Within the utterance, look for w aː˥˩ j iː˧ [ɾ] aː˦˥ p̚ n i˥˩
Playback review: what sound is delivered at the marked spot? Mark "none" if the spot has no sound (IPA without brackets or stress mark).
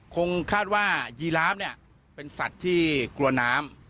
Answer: l